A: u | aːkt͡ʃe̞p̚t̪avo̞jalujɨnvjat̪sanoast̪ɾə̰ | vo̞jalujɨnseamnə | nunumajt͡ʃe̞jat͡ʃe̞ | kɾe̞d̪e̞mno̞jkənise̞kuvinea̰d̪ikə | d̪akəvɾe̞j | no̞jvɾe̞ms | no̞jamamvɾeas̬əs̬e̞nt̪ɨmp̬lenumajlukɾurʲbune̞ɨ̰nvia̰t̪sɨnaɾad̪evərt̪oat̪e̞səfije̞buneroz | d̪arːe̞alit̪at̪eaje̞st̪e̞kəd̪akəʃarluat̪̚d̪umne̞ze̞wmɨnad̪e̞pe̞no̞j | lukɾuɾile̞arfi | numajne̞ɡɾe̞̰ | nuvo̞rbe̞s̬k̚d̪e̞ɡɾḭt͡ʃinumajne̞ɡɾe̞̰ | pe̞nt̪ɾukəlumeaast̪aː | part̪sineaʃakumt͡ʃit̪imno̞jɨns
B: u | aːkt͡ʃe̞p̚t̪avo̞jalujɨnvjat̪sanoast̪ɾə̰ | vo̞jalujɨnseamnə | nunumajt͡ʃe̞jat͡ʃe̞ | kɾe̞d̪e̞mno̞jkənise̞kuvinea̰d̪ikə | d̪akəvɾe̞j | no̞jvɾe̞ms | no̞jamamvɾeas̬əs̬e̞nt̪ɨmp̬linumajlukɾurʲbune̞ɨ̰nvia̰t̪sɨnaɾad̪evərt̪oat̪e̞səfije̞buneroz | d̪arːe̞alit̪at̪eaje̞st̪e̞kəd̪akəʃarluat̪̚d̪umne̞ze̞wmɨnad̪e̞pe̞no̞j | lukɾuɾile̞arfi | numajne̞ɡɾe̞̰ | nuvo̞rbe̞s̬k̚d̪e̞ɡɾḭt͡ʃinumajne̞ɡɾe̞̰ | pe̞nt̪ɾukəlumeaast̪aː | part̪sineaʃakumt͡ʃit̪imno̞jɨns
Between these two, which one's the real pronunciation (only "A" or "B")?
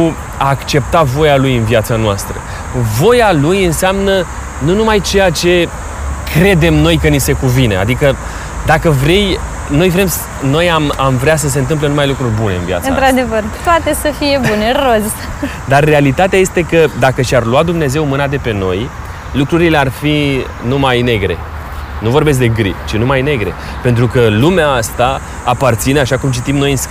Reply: A